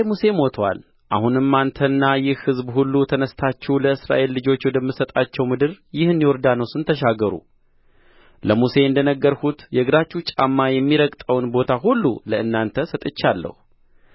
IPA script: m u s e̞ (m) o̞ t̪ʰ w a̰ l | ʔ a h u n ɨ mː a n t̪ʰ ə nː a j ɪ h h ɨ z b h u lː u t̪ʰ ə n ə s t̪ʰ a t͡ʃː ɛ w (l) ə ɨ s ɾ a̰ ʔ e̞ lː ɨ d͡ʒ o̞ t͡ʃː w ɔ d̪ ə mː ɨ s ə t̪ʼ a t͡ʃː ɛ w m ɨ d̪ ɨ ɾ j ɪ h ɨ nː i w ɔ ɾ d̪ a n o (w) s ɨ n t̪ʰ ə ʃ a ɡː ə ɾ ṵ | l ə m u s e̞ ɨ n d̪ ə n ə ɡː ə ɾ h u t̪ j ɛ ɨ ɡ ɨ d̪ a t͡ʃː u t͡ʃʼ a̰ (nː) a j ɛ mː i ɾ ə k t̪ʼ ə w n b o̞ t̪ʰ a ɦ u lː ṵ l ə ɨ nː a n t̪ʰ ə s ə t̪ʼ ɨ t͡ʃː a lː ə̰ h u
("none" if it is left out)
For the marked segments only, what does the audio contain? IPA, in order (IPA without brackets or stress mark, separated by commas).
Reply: m, l, w, mː